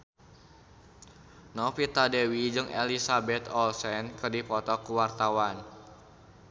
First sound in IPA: n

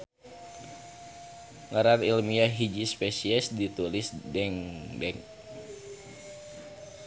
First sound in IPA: ŋ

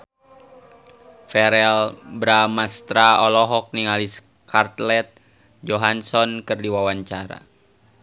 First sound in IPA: f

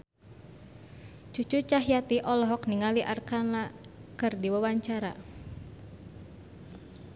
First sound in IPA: t͡ʃ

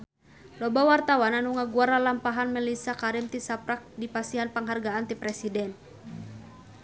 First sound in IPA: l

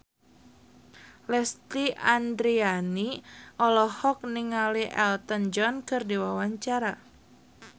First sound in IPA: l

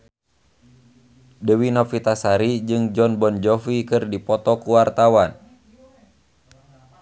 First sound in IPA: d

